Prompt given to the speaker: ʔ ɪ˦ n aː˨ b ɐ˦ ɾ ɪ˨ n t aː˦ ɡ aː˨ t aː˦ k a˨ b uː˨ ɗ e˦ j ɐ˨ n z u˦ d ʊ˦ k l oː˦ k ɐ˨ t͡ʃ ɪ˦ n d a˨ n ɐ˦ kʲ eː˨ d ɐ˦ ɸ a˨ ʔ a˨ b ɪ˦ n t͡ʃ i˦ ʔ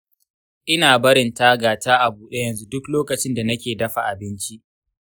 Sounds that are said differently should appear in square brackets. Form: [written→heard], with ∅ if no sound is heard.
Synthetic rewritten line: ʔ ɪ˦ n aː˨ b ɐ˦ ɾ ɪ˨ n t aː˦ ɡ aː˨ t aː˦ [k→ʔ] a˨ b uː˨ ɗ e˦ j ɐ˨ n z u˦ d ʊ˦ k l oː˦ k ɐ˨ t͡ʃ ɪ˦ n d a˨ n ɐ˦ kʲ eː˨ d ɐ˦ ɸ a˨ ʔ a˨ b ɪ˦ n t͡ʃ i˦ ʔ